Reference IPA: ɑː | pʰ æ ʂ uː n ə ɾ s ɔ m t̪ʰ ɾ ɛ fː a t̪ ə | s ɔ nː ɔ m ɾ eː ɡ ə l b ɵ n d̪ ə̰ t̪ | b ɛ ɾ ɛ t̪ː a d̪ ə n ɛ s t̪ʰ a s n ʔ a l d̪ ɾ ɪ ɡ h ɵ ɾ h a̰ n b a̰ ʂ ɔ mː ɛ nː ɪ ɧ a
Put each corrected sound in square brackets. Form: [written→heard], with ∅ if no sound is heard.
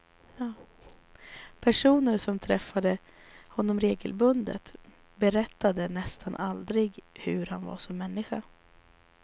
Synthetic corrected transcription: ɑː | pʰ æ ʂ uː n ə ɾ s ɔ m t̪ʰ ɾ ɛ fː a [t̪→d̪] ə | [s→h] ɔ nː ɔ m ɾ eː ɡ ə l b ɵ n d̪ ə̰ t̪ | b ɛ ɾ ɛ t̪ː a d̪ ə n ɛ s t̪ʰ a [s→∅] n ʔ a l d̪ ɾ ɪ ɡ h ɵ ɾ h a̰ n [b→v] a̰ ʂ ɔ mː ɛ nː ɪ ɧ a